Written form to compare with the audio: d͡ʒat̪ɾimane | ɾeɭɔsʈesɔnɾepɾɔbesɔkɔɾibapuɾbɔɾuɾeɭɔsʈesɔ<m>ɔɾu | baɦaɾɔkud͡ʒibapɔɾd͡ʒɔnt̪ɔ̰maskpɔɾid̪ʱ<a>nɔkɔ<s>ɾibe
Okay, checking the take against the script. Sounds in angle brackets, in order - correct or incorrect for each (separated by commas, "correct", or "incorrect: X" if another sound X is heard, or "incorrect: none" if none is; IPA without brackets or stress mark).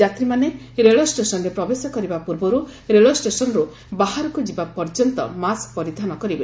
incorrect: n, correct, incorrect: none